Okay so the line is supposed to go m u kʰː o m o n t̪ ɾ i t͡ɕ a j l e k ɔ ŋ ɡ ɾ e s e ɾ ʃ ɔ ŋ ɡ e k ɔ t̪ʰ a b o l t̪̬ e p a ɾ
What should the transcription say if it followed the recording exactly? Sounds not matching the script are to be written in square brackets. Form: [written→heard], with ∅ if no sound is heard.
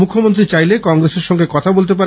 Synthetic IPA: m u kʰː o m o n t̪ ɾ i t͡ɕ a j l e k ɔ ŋ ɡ ɾ e s e ɾ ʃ ɔ ŋ ɡ e k ɔ t̪ʰ a b o l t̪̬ e p a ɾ